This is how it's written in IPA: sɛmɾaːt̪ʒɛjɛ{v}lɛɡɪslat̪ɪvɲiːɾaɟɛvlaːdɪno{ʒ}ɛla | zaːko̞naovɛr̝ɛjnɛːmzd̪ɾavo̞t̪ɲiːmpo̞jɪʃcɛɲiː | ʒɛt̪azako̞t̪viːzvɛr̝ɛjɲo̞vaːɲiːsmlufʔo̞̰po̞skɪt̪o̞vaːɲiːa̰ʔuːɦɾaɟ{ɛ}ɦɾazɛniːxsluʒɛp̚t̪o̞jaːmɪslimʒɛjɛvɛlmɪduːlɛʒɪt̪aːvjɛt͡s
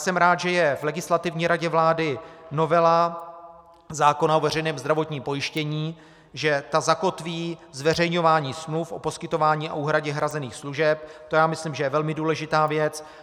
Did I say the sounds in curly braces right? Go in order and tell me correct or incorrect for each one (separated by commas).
correct, incorrect, correct